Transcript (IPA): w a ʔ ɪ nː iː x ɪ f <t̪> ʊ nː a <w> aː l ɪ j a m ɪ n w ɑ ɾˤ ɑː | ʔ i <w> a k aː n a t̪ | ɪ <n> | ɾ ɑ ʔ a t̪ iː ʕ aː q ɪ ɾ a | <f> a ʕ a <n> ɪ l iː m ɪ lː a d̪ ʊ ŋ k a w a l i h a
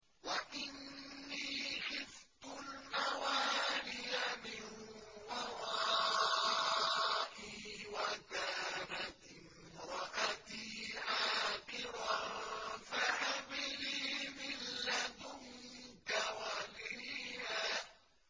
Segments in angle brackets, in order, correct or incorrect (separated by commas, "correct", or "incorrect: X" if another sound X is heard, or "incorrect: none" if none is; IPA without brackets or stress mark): correct, correct, correct, incorrect: m, correct, incorrect: m